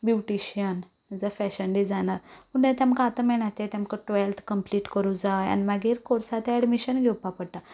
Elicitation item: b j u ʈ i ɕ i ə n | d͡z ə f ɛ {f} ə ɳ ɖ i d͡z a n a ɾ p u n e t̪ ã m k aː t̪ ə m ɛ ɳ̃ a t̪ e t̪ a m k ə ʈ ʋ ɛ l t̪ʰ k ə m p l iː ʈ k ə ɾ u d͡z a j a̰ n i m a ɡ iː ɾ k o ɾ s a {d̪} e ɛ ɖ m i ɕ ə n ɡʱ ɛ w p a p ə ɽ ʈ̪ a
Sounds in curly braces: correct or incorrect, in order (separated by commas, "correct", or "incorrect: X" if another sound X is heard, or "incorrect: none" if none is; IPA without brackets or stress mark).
incorrect: ɕ, incorrect: t̪